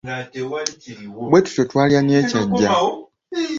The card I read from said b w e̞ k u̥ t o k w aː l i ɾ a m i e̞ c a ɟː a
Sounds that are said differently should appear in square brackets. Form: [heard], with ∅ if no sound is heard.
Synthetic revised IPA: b w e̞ [t] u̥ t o [t] w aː l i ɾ a [n] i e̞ c a ɟː a